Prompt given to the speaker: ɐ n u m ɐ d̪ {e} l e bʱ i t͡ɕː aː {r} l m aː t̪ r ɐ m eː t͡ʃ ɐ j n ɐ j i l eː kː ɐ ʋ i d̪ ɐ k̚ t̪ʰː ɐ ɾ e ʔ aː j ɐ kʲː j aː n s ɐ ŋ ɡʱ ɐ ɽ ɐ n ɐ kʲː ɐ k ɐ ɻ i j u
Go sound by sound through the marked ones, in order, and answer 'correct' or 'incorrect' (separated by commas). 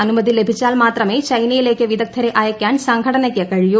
incorrect, incorrect